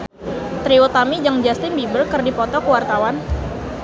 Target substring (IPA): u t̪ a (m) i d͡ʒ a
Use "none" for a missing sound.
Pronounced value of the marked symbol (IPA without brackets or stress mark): m